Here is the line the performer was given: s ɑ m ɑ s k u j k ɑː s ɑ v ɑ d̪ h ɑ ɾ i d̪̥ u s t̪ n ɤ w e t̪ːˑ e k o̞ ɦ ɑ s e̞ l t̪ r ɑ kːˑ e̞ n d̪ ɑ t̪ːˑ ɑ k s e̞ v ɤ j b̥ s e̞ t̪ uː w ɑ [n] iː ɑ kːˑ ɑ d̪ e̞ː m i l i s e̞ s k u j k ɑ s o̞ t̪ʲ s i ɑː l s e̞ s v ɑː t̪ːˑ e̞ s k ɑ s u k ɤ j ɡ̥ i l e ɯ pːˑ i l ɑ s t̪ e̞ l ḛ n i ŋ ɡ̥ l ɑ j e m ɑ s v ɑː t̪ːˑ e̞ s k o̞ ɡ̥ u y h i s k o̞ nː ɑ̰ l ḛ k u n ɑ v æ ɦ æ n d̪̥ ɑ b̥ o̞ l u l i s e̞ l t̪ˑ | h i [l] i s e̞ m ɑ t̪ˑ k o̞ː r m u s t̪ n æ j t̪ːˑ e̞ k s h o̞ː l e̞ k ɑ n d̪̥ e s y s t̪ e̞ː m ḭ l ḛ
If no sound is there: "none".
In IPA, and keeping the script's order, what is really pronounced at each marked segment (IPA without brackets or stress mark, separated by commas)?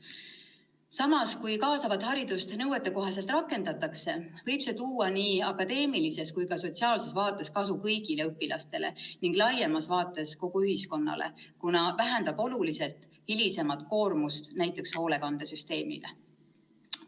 n, l